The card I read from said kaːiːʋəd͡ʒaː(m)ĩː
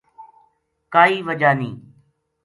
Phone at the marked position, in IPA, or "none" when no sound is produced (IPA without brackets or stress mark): n